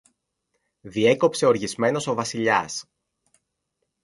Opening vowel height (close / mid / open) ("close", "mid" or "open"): close